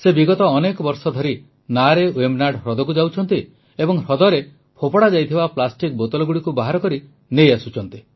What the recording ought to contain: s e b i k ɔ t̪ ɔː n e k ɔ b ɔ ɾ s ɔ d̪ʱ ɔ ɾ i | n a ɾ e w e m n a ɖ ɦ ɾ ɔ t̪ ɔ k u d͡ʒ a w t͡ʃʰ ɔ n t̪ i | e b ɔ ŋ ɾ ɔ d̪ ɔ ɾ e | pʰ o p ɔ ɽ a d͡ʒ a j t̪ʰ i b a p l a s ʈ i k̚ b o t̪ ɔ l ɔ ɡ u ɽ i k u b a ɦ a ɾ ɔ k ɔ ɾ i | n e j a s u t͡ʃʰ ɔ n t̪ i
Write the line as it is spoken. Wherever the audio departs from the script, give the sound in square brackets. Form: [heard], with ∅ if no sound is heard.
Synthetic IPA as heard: s e b i [ɡ] ɔ t̪ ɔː n e k ɔ b ɔ ɾ s ɔ d̪ʱ ɔ ɾ i | n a ɾ e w e m n a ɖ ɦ ɾ ɔ [d̪] ɔ k u d͡ʒ a w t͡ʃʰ ɔ n t̪ i | e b ɔ ŋ ɾ ɔ d̪ ɔ ɾ e | pʰ o p ɔ ɽ a d͡ʒ a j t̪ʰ i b a p l a s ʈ i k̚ b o t̪ ɔ l ɔ ɡ u ɽ i k u b a ɦ a ɾ ɔ k ɔ ɾ i | n e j a s u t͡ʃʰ ɔ n t̪ i